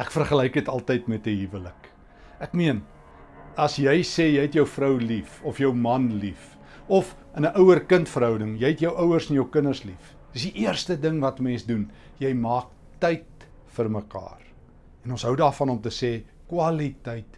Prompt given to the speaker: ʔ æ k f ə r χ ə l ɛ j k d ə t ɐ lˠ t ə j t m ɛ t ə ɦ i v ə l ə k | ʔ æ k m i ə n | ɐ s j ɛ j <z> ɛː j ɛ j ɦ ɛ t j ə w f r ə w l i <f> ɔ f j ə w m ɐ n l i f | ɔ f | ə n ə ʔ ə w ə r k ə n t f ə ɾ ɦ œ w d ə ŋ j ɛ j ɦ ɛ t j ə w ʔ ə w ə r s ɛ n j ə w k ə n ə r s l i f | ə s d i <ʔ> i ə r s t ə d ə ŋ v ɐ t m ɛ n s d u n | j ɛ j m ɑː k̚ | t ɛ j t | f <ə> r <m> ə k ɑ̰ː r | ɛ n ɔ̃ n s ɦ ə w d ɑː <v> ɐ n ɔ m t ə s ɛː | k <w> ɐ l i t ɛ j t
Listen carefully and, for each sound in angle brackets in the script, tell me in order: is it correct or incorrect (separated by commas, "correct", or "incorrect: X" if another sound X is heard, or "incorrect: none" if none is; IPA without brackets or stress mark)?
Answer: incorrect: s, correct, correct, correct, correct, incorrect: f, correct